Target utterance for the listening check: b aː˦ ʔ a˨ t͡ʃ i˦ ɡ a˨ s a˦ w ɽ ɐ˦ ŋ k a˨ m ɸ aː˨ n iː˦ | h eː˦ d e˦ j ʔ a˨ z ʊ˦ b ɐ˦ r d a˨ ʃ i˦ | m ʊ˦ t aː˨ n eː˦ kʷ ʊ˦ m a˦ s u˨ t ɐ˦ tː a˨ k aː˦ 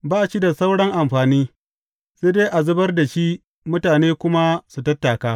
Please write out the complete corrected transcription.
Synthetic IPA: b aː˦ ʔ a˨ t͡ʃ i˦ d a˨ s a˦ w ɽ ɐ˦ ŋ ʔ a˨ m ɸ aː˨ n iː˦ | s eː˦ d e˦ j ʔ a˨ z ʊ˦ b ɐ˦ r d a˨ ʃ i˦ | m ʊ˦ t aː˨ n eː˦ kʷ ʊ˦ m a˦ s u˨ t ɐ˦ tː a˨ k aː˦

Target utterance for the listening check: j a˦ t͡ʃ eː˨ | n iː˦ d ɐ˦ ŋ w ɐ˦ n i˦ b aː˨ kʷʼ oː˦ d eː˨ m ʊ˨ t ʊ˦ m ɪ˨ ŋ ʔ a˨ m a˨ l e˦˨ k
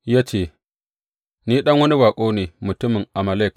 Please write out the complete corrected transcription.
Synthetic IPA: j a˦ t͡ʃ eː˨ | n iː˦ ɗ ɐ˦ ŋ w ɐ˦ n i˦ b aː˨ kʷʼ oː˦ n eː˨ m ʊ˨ t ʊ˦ m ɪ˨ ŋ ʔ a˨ m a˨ l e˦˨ k

